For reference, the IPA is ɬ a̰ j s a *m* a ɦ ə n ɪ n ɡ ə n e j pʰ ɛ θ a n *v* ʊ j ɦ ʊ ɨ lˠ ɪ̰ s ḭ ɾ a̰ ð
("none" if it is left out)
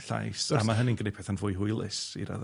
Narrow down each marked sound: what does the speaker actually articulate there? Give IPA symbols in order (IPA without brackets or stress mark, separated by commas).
m, v